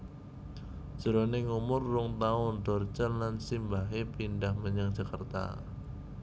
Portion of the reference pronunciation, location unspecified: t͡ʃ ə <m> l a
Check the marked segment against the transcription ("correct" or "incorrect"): incorrect